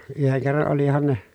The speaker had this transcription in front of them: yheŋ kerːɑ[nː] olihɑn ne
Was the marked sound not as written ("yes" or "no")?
yes